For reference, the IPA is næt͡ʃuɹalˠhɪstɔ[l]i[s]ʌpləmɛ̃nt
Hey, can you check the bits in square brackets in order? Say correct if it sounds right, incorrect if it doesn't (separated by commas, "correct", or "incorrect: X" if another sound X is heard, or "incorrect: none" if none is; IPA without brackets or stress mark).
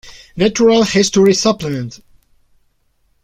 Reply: incorrect: ɹ, correct